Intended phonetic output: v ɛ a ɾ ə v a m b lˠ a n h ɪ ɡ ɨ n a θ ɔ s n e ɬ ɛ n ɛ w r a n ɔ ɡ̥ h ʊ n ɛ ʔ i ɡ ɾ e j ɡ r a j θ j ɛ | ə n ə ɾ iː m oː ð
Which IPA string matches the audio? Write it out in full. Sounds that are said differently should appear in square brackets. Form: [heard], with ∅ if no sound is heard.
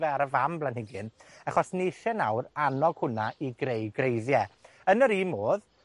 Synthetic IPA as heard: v ɛ a ɾ ə v a m b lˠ a n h ɪ ɡ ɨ n a [χ] ɔ s n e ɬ ɛ n [a] w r a n ɔ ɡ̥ h ʊ n [a] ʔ i ɡ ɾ e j ɡ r [e] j [ð] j ɛ | ə n ə ɾ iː m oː ð